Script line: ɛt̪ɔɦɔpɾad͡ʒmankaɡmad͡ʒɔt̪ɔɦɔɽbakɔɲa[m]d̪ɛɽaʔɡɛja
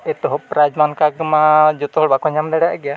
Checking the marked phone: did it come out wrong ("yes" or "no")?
no